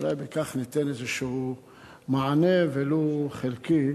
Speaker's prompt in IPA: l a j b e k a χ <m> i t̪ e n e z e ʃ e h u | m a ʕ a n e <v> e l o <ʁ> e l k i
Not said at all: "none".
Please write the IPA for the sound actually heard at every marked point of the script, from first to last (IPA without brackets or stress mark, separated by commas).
n, v, χ